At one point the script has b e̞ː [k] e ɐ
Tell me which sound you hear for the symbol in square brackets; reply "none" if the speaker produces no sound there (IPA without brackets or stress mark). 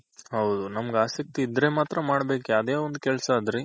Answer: k